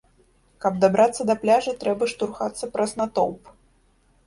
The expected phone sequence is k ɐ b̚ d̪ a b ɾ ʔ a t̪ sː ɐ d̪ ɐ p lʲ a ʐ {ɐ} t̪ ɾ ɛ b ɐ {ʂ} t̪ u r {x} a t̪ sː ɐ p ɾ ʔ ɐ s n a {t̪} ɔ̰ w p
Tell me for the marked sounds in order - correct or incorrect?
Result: correct, correct, correct, correct

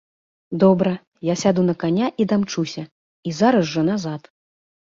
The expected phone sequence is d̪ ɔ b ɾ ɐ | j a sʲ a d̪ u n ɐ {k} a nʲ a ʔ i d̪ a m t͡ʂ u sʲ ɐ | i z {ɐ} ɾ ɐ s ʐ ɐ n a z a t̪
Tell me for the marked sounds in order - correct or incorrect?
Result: correct, incorrect

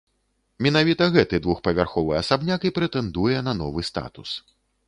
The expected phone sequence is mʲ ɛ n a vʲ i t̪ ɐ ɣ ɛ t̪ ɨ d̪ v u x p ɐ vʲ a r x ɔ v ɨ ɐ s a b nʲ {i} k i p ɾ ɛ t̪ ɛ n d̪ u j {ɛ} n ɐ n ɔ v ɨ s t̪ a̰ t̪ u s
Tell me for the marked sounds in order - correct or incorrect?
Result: incorrect, correct

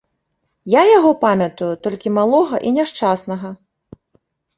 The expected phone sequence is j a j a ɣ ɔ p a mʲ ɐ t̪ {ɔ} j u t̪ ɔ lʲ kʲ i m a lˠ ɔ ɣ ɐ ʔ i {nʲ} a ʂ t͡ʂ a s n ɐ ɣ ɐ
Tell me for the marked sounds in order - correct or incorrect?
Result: incorrect, correct

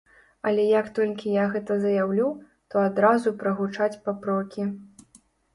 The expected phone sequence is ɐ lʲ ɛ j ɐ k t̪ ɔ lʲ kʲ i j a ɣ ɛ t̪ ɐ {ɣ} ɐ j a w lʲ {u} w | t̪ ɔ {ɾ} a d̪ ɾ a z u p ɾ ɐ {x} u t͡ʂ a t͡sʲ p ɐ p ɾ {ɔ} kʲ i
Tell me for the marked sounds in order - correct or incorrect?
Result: incorrect, correct, incorrect, incorrect, correct

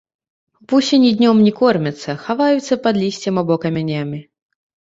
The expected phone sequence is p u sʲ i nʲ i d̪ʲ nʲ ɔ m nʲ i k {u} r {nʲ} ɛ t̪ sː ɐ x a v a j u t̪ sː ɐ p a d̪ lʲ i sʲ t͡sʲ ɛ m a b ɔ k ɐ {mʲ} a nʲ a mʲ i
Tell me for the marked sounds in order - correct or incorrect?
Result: incorrect, incorrect, correct

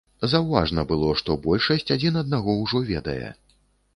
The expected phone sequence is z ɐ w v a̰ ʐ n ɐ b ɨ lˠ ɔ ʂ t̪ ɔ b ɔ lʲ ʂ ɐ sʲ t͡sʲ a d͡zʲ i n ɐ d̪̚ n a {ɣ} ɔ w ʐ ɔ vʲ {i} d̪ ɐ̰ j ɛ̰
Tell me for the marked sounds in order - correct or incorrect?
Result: correct, incorrect

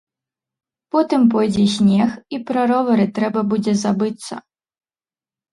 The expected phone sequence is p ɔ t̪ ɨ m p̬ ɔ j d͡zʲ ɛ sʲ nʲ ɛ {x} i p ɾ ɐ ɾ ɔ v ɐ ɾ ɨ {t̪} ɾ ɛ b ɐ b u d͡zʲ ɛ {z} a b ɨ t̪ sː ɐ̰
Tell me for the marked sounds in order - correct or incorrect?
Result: correct, correct, correct

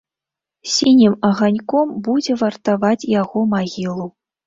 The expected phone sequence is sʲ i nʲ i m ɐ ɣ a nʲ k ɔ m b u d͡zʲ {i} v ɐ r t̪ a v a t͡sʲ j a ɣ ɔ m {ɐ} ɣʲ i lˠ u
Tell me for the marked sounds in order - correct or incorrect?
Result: incorrect, incorrect

